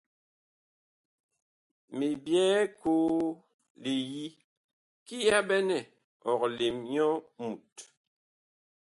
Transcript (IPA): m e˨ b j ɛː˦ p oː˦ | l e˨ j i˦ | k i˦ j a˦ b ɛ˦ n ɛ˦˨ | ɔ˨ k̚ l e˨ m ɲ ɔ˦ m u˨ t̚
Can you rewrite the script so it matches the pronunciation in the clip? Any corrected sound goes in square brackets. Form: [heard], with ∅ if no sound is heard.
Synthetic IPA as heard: m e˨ b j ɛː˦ [k] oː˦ | l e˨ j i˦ | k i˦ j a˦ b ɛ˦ n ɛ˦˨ | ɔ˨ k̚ l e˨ m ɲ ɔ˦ m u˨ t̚